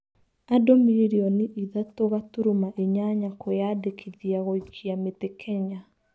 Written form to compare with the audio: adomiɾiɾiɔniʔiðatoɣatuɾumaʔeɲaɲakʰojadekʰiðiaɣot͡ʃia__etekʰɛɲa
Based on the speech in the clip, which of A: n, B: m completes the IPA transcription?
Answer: B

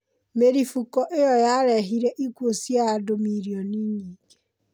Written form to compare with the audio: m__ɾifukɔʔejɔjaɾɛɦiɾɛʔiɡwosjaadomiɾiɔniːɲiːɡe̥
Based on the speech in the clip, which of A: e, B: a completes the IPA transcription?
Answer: A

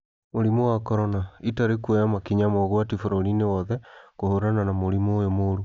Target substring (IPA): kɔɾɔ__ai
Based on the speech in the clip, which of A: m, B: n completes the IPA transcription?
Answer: B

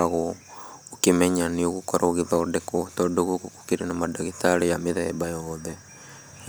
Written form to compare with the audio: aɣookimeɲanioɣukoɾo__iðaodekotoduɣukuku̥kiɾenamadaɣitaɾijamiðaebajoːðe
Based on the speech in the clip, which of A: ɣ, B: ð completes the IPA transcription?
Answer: A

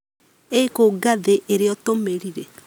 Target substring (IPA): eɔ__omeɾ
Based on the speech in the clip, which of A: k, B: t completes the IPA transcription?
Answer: B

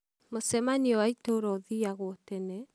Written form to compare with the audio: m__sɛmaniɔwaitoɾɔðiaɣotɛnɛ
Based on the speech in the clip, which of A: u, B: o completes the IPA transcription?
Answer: B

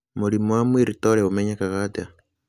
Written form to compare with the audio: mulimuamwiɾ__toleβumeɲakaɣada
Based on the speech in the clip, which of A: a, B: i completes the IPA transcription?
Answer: B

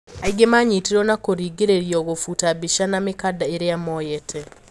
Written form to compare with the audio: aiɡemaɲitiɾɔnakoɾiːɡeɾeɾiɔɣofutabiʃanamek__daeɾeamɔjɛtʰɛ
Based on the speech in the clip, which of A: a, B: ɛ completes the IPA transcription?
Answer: A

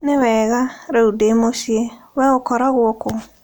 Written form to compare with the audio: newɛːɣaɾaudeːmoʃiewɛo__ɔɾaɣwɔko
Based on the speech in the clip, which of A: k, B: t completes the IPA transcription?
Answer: A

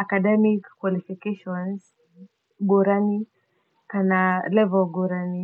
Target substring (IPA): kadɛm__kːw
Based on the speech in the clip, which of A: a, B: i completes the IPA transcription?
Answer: B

